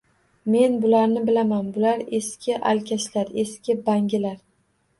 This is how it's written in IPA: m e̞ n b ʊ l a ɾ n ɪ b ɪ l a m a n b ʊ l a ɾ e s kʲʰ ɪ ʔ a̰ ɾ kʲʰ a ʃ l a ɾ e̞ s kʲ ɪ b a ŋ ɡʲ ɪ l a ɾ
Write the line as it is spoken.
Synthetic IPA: m e̞ n b ʊ l a ɾ n ɪ b ɪ l a m a n b ʊ l a ɾ e s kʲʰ ɪ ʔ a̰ l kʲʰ a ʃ l a ɾ e̞ s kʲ ɪ b a ŋ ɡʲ ɪ l a ɾ